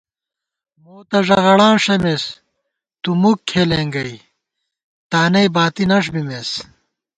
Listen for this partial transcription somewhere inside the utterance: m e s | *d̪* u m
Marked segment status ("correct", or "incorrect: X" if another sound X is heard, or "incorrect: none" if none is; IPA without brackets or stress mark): incorrect: t̪